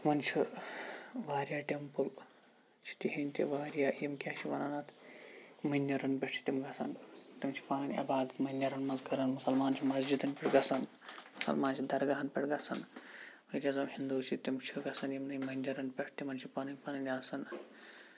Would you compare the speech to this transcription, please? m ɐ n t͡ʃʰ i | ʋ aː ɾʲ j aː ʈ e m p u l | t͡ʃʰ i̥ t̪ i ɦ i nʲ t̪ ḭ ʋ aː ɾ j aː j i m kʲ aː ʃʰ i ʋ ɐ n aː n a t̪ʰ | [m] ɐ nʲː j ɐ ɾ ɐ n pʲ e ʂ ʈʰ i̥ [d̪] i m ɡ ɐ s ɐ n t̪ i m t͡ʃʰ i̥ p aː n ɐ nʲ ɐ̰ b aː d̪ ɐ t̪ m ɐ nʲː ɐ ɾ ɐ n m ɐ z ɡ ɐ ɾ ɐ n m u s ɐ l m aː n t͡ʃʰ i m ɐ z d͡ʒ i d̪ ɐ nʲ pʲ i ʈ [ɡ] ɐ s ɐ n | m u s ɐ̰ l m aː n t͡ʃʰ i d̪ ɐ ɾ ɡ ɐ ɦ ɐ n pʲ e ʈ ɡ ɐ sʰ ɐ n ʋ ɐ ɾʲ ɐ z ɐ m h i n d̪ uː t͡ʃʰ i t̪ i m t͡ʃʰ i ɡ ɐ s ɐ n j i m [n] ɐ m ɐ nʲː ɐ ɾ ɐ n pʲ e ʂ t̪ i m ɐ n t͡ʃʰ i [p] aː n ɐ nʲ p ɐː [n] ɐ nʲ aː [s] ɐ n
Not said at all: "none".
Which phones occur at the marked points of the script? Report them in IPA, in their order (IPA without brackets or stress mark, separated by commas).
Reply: m, t̪, ɡ, n, p, n, s